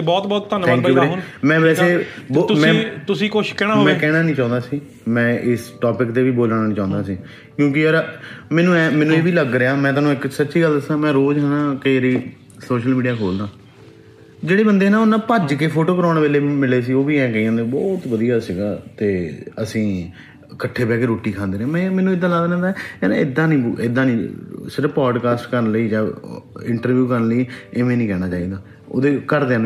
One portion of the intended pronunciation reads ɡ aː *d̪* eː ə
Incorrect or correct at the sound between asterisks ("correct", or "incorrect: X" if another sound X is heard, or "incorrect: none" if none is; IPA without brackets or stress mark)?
incorrect: t̪